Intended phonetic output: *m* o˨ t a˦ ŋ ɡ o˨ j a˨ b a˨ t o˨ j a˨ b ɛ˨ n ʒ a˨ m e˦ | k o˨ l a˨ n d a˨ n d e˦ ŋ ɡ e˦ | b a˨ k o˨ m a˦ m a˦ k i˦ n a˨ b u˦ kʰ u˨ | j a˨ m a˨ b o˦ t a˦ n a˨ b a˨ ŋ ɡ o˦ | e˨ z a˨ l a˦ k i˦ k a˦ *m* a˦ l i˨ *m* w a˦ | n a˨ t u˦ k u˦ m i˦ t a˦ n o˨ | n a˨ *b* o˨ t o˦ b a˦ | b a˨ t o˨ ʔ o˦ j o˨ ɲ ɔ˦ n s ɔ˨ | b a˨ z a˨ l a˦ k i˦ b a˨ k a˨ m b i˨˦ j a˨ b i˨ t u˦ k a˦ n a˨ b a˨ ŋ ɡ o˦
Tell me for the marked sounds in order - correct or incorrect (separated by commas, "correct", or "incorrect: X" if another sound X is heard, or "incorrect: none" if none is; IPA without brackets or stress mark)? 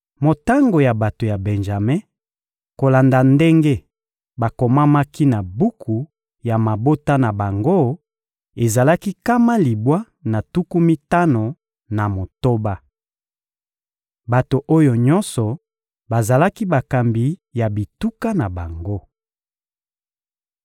correct, correct, incorrect: b, incorrect: m